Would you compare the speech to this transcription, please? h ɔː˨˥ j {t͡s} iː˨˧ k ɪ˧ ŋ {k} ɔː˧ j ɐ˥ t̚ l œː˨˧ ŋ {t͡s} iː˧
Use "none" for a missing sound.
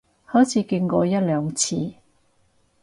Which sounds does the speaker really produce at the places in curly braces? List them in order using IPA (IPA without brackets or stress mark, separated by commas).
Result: t͡sʰ, k, t͡sʰ